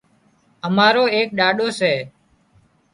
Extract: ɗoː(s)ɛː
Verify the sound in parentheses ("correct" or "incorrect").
correct